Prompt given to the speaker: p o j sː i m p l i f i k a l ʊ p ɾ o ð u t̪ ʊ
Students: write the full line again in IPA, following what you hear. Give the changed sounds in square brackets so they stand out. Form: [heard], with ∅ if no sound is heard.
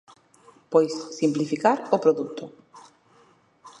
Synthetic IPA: p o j sː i m p l i f i k a [ɾ] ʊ p ɾ o ð u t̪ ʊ